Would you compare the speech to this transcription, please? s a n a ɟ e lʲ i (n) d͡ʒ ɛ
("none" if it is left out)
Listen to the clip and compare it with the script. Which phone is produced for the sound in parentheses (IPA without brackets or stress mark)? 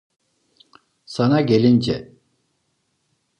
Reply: n